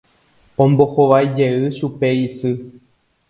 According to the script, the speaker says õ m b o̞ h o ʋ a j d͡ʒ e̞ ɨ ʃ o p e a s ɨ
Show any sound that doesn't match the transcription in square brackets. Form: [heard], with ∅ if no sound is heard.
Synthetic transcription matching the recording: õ m b o̞ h o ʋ a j d͡ʒ e̞ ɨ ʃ [u] p e [i] s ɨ